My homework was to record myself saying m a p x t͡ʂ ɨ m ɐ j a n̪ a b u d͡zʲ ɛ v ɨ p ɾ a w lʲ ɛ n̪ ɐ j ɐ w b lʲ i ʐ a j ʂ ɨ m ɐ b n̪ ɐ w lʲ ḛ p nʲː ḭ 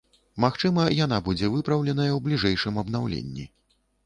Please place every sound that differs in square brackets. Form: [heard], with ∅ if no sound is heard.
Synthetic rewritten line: m a [∅] x t͡ʂ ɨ m ɐ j a n̪ a b u d͡zʲ ɛ v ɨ p ɾ [ɐ] w lʲ ɛ n̪ ɐ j ɐ w b lʲ i ʐ [ɛ] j ʂ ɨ m ɐ b n̪ [a] w lʲ ḛ [∅] nʲː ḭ